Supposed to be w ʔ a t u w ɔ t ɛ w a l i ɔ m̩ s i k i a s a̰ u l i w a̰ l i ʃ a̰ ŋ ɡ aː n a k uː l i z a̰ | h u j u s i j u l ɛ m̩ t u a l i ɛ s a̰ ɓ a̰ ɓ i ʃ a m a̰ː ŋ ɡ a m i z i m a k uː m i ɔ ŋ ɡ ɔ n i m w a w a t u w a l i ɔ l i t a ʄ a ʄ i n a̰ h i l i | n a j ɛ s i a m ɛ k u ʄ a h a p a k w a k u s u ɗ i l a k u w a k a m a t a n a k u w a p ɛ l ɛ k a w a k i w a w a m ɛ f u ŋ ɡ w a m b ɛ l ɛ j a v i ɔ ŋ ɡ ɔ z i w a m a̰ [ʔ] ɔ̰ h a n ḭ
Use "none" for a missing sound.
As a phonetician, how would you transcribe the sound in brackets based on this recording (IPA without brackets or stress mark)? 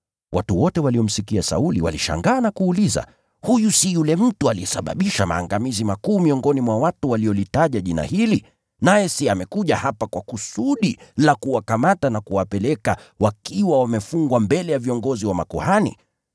k